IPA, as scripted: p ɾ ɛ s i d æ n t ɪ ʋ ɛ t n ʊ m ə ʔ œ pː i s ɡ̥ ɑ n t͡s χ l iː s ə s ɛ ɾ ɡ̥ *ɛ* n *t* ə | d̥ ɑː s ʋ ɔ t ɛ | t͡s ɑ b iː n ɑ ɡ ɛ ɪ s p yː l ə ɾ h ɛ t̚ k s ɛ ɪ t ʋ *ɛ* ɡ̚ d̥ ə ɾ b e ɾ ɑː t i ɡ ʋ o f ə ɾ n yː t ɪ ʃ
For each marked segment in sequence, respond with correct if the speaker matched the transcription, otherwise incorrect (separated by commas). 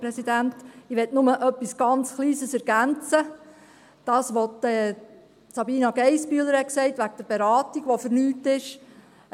incorrect, incorrect, incorrect